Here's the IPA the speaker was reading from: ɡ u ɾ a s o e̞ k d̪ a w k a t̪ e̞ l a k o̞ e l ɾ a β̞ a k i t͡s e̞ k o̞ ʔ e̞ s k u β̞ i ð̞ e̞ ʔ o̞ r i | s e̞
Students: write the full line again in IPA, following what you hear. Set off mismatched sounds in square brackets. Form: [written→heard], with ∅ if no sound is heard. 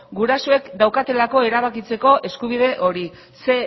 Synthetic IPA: ɡ u ɾ a s o e̞ k d̪ a w k a t̪ e̞ l a k o̞ e [l→∅] ɾ a β̞ a k i t͡s e̞ k o̞ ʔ e̞ s k u β̞ i ð̞ e̞ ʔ o̞ [r→ɾ] i | s e̞